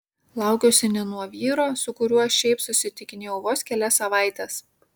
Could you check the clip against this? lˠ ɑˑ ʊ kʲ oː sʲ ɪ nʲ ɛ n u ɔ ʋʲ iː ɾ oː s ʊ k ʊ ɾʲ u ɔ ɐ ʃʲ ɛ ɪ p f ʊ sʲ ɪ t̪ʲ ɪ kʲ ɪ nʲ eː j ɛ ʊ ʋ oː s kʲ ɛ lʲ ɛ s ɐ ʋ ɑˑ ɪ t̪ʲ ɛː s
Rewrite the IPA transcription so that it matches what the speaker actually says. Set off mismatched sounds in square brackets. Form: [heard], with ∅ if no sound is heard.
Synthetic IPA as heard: lˠ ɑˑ ʊ kʲ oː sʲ ɪ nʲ ɛ n u ɔ ʋʲ iː ɾ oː s ʊ k ʊ ɾʲ u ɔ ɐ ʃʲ ɛ ɪ p [s] ʊ sʲ ɪ t̪ʲ ɪ kʲ ɪ nʲ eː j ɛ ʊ ʋ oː s kʲ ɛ lʲ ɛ s ɐ ʋ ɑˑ ɪ t̪ʲ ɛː s